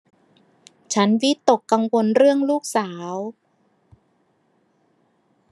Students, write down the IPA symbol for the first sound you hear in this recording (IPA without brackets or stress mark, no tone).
t͡ɕʰ